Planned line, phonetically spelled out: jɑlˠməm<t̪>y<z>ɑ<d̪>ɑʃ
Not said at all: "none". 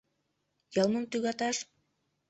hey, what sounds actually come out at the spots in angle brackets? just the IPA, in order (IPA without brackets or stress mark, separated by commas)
t̪, ɣ, t̪